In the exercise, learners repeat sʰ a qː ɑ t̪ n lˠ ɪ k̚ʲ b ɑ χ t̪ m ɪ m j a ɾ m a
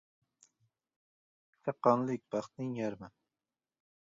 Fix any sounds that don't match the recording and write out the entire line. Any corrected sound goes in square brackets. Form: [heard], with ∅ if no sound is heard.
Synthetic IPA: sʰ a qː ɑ [∅] n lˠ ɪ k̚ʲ b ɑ χ t̪ [n] ɪ [ŋ] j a ɾ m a